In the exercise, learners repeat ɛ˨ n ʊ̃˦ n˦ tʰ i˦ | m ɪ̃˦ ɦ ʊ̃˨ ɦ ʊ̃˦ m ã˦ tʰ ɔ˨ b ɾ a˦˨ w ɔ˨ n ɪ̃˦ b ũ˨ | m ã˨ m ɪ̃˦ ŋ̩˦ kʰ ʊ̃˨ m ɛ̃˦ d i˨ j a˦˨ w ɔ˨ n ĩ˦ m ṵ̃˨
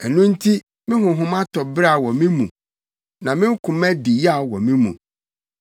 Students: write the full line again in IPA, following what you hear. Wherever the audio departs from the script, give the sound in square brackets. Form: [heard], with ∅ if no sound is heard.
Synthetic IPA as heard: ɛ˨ n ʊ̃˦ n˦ tʰ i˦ | m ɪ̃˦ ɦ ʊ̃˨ ɦ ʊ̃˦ m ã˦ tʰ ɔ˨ b ɾ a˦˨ w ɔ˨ [m] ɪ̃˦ [m] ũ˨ | [n] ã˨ m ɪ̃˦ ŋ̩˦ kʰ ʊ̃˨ m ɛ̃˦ d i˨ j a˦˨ w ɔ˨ [m] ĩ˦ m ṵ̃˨

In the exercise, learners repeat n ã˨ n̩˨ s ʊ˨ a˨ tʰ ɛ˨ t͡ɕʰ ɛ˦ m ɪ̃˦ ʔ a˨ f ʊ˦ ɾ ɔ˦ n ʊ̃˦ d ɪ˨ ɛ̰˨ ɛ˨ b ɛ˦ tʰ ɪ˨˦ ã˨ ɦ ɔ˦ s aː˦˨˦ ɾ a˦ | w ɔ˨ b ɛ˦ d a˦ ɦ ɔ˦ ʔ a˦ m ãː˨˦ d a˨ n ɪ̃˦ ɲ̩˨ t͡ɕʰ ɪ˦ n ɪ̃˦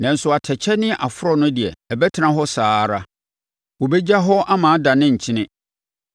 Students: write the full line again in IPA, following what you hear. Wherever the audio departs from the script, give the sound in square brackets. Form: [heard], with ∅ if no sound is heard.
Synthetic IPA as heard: n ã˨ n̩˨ s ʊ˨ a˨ tʰ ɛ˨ t͡ɕʰ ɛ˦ [n] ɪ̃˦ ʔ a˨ f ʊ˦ ɾ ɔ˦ n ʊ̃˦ d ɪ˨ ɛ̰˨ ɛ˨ b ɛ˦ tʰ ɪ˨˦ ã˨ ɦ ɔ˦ s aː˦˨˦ ɾ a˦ | w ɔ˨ b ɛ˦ [d͡ʑ] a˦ ɦ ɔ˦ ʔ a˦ m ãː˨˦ d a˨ n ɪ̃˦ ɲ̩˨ t͡ɕʰ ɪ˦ n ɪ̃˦

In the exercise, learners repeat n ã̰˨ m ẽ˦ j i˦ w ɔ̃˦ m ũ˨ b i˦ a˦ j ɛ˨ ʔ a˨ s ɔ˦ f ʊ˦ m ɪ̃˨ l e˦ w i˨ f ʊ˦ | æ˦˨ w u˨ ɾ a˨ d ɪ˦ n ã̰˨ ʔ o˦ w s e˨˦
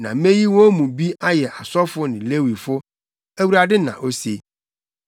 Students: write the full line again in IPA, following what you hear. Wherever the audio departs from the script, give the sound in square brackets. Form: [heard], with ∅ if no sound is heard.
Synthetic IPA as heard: n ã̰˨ m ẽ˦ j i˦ w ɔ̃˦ m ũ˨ b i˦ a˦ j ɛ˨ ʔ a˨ s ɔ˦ f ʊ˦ [n] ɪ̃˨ l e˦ w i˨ f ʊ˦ | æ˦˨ w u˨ ɾ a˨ d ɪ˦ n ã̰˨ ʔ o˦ [∅] s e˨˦

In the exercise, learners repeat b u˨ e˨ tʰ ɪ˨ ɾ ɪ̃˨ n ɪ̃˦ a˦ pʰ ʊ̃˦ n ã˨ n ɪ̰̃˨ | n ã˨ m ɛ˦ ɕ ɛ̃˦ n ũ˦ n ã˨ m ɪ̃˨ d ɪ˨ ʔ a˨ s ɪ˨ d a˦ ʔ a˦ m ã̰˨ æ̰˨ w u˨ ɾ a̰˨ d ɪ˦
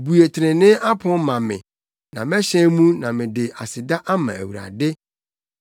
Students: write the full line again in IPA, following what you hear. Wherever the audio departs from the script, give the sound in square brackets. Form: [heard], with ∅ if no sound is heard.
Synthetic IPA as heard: b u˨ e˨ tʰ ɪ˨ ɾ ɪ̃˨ n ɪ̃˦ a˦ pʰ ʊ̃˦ [m] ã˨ [m] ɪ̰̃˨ | n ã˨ m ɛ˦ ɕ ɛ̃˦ [m] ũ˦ n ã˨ m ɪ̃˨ d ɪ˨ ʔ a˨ s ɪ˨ d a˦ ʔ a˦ m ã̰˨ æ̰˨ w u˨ ɾ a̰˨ d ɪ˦

